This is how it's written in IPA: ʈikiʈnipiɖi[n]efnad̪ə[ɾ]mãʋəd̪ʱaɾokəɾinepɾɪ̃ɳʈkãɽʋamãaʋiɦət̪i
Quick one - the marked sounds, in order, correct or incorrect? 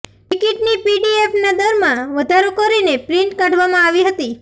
incorrect: none, correct

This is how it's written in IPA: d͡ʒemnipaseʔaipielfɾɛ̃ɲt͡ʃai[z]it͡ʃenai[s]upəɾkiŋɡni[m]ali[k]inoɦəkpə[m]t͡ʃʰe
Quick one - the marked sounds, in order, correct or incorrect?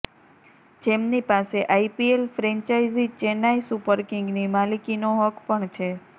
correct, correct, correct, correct, incorrect: ɳ

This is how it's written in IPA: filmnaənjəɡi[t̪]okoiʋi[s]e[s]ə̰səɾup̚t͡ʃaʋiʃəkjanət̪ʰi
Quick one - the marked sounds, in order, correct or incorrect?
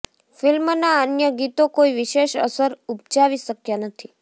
correct, incorrect: ʃ, incorrect: ʃ

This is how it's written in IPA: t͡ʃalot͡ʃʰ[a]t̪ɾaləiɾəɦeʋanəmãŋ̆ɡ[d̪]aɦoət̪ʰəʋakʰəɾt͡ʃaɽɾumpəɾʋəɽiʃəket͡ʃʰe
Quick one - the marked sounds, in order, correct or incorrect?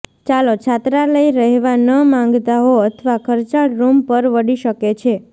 correct, incorrect: t̪

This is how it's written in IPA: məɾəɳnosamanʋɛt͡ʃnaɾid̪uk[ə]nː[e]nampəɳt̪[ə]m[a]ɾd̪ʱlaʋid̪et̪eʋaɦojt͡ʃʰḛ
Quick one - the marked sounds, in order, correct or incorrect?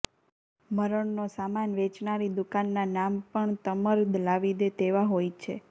incorrect: a, incorrect: a, correct, incorrect: ə

